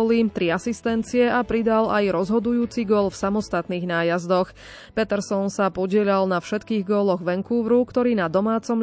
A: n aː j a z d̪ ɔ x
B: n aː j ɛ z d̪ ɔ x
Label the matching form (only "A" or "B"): A